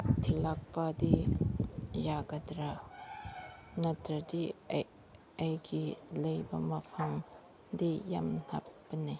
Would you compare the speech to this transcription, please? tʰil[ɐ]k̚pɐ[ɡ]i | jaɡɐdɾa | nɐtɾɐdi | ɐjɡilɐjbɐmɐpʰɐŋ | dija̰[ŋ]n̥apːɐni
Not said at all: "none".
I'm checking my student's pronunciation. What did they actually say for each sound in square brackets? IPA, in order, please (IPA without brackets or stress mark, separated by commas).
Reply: a, d, m